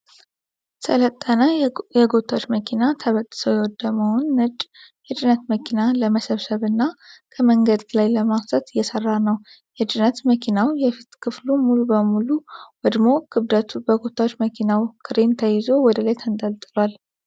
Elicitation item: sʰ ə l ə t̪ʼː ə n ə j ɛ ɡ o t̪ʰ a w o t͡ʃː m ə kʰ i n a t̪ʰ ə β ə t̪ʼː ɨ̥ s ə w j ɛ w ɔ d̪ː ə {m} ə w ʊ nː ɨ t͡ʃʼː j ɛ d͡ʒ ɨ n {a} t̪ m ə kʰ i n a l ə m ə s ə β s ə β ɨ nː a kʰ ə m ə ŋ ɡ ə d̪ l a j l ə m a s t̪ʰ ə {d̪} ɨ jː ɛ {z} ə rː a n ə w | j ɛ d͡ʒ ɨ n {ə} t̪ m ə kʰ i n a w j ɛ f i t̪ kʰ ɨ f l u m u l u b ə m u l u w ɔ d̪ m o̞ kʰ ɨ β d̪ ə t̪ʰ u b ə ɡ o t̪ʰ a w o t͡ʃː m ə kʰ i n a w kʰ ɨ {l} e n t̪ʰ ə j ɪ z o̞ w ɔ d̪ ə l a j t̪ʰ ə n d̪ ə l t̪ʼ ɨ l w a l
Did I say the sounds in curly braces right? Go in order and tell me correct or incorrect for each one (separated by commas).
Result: correct, incorrect, incorrect, incorrect, correct, incorrect